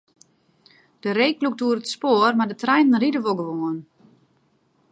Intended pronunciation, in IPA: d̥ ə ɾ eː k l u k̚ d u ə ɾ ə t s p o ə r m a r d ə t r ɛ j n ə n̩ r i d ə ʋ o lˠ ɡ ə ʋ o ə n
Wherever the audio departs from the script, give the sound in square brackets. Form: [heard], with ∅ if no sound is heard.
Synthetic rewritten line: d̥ ə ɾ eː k l u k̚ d u ə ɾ ə t s p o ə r m a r d ə t r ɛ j n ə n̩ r i d ə ʋ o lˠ ɡ ə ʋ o ə n